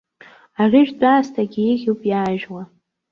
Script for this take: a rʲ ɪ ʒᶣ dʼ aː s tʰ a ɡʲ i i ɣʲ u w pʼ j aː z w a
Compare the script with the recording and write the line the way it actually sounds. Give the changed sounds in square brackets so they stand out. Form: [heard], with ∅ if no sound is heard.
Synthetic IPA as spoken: a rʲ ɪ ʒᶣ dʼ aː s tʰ a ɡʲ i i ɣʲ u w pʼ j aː [ʒ] w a